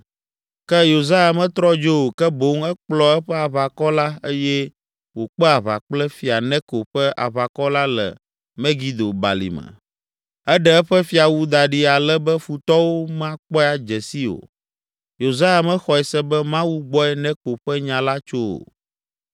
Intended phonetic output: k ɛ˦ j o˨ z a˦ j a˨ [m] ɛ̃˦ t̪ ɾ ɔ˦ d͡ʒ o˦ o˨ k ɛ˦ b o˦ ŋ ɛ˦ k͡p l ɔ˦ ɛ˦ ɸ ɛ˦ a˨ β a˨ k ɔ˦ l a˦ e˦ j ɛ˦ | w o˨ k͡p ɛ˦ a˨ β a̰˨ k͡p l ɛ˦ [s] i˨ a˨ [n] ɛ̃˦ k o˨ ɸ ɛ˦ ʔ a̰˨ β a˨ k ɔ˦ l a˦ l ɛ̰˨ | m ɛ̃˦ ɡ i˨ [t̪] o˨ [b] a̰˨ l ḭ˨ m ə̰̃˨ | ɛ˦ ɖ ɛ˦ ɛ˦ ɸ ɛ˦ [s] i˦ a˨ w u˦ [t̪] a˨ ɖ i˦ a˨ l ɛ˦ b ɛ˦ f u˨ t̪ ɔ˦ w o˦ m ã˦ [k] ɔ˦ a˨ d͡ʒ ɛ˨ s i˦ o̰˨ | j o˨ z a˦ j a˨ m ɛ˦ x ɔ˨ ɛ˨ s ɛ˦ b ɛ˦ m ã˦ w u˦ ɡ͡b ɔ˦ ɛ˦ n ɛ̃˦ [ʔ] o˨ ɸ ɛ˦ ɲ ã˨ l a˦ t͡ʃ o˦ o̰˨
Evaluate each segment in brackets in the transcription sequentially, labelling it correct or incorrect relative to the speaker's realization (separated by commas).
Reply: correct, incorrect, correct, incorrect, correct, incorrect, incorrect, incorrect, incorrect